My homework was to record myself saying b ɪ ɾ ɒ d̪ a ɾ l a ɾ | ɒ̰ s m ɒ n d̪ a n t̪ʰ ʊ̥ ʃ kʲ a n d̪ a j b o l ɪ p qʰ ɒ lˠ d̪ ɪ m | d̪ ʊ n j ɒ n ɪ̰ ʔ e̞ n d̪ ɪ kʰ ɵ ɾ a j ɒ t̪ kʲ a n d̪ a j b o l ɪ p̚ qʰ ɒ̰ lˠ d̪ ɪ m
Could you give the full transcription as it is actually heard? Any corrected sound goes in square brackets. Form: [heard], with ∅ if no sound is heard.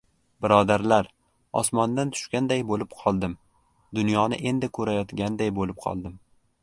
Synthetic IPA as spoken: b ɪ ɾ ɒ d̪ a ɾ l a ɾ | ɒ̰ s m ɒ n d̪ a n t̪ʰ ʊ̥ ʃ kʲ a n d̪ a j b o l ɪ p qʰ ɒ lˠ d̪ ɪ m | d̪ ʊ n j ɒ n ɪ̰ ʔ e̞ n d̪ ɪ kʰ ɵ ɾ a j ɒ t̪ [ɡʲ] a n d̪ a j b o l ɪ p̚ qʰ ɒ̰ lˠ d̪ ɪ m

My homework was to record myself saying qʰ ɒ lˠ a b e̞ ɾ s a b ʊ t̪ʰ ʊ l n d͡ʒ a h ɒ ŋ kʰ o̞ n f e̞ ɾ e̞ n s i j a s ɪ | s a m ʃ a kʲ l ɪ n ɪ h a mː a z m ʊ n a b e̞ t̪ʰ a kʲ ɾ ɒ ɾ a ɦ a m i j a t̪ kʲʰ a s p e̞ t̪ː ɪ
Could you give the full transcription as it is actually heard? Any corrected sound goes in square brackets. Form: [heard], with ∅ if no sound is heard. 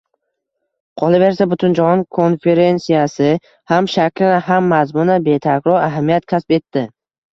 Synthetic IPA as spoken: qʰ ɒ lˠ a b e̞ ɾ s a b ʊ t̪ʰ ʊ [∅] n d͡ʒ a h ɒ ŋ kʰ o̞ n f e̞ ɾ e̞ n s i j a s ɪ | [h] a m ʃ a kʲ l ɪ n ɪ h a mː a z m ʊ n a b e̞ t̪ʰ a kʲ ɾ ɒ ɾ a ɦ a m i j a t̪ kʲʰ a s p e̞ t̪ː ɪ

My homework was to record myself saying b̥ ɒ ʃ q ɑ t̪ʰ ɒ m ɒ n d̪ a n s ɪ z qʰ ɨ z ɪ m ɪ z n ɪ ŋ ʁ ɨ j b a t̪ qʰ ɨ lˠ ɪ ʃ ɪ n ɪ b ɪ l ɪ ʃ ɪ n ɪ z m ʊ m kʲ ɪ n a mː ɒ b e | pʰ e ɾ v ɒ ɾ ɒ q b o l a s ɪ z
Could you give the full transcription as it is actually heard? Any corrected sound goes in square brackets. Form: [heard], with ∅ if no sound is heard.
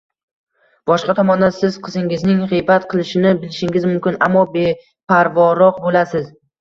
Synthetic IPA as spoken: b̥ ɒ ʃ q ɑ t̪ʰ ɒ m ɒ n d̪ a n s ɪ z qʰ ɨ z ɪ [ŋ] ɪ z n ɪ ŋ ʁ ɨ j b a t̪ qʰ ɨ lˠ ɪ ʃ ɪ n ɪ b ɪ l ɪ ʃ ɪ [ŋ] ɪ z m ʊ m kʲ ɪ n a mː ɒ b e | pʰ [a] ɾ v ɒ ɾ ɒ q b o l a s ɪ z

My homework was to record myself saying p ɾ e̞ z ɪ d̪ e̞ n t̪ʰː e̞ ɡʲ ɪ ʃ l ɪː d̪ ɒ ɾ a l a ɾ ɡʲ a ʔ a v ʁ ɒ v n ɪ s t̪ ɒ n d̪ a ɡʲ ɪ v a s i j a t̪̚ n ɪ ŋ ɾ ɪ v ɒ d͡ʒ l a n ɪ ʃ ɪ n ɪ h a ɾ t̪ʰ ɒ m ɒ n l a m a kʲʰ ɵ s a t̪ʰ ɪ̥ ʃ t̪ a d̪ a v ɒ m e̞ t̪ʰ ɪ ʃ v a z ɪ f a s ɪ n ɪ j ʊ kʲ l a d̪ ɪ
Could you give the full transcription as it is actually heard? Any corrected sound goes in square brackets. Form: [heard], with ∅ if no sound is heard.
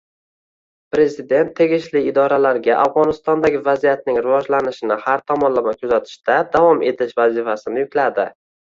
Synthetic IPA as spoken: p ɾ e̞ z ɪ d̪ e̞ n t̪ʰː e̞ ɡʲ ɪ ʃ l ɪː d̪ ɒ ɾ a l a ɾ ɡʲ a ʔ a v ʁ ɒ [∅] n ɪ s t̪ ɒ n d̪ a ɡʲ ɪ v a [z] i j a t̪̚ n ɪ ŋ ɾ ɪ v ɒ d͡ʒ l a n ɪ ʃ ɪ n ɪ h a ɾ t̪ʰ ɒ m ɒ n l a m a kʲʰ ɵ [z] a t̪ʰ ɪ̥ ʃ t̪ a d̪ a v ɒ m e̞ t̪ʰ ɪ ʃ v a z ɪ f a s ɪ n ɪ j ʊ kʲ l a d̪ ɪ

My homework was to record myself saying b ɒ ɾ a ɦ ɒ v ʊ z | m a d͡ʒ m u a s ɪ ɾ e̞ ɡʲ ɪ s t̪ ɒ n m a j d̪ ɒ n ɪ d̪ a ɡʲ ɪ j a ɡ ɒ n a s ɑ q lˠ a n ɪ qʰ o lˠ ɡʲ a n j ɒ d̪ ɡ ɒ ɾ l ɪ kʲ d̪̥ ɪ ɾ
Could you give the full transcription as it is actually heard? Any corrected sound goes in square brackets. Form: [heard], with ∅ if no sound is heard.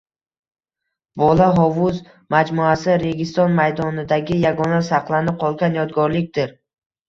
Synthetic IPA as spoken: b ɒ [l] a ɦ ɒ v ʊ z | m a d͡ʒ m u a s ɪ ɾ e̞ ɡʲ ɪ s t̪ ɒ n m a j d̪ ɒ n ɪ d̪ a ɡʲ ɪ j a ɡ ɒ n a s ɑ q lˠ a n ɪ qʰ [ɒ] lˠ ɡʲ a n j ɒ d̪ ɡ ɒ ɾ l ɪ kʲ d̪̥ ɪ ɾ

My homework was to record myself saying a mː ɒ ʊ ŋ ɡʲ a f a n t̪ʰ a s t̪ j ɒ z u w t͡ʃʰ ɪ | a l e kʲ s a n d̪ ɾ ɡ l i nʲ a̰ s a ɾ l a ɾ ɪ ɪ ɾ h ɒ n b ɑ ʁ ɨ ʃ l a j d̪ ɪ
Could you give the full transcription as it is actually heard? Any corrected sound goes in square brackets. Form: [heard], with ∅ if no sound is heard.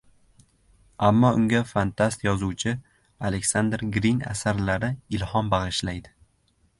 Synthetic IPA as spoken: a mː ɒ ʊ ŋ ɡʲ a f a n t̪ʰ a s t̪ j ɒ z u w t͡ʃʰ ɪ | a l e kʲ s a n d̪ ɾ ɡ [ɾ] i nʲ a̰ s a ɾ l a ɾ ɪ ɪ [l] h ɒ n b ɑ ʁ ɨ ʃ l a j d̪ ɪ

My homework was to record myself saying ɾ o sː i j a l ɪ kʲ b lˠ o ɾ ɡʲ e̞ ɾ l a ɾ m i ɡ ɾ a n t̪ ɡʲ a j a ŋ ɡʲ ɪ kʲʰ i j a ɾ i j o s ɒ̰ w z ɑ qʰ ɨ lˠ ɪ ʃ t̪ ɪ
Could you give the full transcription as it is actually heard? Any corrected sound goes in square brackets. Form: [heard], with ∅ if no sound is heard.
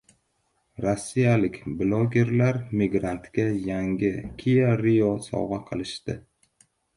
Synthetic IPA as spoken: ɾ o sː i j a l ɪ kʲ b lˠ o [∅] ɡʲ e̞ ɾ l a ɾ m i ɡ ɾ a n t̪ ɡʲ a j a ŋ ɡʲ ɪ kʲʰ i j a ɾ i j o s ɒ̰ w [ʁ] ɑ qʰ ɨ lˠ ɪ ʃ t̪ ɪ

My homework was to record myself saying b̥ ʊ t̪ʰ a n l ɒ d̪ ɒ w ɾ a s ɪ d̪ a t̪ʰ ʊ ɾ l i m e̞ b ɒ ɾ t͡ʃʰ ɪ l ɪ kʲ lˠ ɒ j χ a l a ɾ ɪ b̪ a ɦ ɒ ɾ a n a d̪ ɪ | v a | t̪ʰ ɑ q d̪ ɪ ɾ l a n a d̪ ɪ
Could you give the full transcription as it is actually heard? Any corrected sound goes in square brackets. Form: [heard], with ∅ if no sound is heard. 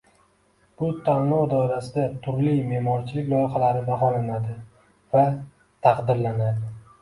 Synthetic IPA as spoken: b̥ ʊ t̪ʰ a n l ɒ d̪ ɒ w ɾ a s ɪ d̪ a t̪ʰ ʊ ɾ l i m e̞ [m] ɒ ɾ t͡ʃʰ ɪ l ɪ kʲ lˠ ɒ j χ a l a ɾ ɪ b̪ a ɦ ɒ [l] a n a d̪ ɪ | v a | t̪ʰ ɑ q d̪ ɪ ɾ l a n a d̪ ɪ

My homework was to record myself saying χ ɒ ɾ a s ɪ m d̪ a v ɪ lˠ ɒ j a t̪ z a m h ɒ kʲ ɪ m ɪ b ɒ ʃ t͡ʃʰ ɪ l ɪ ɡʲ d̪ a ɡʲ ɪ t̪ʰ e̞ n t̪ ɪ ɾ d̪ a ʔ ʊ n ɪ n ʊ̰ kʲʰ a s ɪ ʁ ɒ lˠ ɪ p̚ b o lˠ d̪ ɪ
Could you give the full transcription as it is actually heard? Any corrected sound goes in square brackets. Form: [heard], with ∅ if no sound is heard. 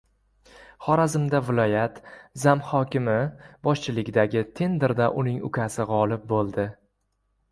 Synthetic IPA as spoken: χ ɒ ɾ a [z] ɪ m d̪ a v ɪ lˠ ɒ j a t̪ z a m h ɒ kʲ ɪ m ɪ b ɒ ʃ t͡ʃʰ ɪ l ɪ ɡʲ d̪ a ɡʲ ɪ t̪ʰ e̞ n [d̪] ɪ ɾ d̪ a ʔ ʊ n ɪ [ŋ] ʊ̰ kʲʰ a s ɪ ʁ ɒ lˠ ɪ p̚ b o lˠ d̪ ɪ

